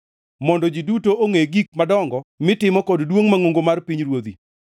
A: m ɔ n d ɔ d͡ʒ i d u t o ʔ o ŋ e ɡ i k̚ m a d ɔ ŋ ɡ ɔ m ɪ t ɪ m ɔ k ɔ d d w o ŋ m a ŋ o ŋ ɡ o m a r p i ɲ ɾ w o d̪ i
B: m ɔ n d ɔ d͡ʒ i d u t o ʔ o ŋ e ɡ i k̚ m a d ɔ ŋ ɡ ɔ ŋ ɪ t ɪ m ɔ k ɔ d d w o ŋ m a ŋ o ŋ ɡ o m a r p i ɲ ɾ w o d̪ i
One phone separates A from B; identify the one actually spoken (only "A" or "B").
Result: A